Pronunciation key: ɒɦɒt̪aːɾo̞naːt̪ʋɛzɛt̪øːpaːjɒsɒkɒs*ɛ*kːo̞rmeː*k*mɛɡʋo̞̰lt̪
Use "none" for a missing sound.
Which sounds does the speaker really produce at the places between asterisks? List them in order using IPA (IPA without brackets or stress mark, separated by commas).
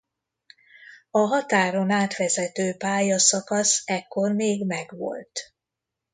ɛ, ɡ